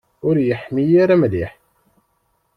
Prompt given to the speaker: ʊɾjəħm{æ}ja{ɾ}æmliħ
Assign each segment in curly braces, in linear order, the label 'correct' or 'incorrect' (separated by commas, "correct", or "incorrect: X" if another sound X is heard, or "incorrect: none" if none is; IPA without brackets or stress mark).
incorrect: i, correct